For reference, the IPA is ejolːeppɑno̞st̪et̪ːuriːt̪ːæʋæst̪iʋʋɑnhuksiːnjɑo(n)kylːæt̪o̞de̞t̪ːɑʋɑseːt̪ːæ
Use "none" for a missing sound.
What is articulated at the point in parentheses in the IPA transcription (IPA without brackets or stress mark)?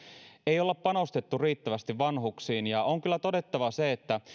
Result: ŋ